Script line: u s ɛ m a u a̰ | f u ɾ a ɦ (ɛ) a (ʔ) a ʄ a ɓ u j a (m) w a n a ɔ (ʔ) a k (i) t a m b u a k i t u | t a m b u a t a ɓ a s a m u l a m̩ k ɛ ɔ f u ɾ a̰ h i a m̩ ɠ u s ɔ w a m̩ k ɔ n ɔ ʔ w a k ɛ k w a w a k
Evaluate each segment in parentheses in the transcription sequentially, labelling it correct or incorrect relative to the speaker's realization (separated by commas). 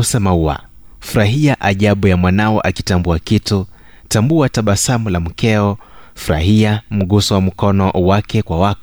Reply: incorrect, correct, correct, correct, correct